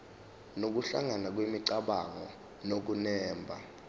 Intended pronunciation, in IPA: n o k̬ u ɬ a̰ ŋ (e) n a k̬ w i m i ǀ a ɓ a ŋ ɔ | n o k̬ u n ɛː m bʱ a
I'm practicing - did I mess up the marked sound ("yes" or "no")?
yes